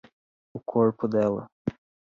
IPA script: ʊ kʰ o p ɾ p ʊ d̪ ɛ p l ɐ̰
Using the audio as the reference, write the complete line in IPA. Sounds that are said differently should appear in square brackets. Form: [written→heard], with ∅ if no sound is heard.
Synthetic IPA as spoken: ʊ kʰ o [p→∅] ɾ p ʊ d̪ ɛ [p→∅] l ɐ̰